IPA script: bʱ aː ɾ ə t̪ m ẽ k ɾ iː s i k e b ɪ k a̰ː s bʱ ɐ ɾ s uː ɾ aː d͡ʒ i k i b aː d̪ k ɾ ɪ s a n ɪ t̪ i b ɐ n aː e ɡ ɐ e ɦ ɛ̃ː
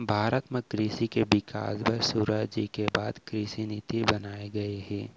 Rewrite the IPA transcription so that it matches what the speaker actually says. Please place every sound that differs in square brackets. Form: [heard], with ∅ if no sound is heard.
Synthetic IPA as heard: bʱ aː ɾ ə t̪ m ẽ k ɾ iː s i k e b ɪ k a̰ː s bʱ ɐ ɾ s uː ɾ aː d͡ʒ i k [e] b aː d̪ k ɾ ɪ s [i] n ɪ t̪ i b ɐ n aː e ɡ ɐ e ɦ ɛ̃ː